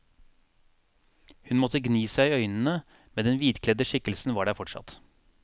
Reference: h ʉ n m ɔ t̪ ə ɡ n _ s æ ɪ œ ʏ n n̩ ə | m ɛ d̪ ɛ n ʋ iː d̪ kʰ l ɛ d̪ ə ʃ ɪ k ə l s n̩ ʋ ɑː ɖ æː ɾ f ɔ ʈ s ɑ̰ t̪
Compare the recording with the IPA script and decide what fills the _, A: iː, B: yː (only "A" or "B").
A